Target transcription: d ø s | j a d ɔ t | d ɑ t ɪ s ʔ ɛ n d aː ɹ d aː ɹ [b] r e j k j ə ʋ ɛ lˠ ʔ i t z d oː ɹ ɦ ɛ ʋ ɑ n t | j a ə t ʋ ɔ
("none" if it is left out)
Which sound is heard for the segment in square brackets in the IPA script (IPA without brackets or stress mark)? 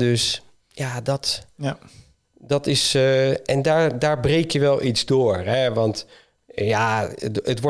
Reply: b